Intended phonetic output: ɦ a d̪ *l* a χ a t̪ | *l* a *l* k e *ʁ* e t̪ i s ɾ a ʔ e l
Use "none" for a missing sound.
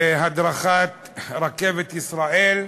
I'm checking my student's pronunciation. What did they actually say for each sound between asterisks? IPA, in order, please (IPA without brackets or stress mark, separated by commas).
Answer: ɾ, ɾ, none, v